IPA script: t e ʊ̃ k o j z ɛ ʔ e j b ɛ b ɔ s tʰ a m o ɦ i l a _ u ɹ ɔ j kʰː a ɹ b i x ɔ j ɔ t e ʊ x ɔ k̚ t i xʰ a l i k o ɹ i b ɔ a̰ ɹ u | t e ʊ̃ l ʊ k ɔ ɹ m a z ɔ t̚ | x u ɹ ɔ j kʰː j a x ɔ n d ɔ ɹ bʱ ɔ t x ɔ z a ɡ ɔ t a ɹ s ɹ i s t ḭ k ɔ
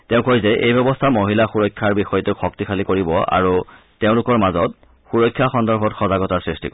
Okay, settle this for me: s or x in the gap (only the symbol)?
x